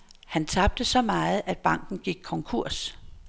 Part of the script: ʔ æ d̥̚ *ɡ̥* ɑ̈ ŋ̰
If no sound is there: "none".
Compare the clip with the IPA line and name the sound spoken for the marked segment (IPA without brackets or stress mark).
b̥